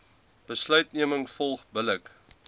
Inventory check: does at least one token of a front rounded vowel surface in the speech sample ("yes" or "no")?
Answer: yes